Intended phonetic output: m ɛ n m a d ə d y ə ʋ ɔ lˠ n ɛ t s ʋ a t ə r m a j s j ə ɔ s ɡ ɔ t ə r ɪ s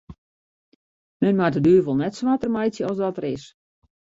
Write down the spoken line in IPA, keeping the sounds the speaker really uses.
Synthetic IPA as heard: m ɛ n m a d ə d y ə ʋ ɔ lˠ n ɛ t s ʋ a t ə r m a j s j ə ɔ s d ɔ t ə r ɪ s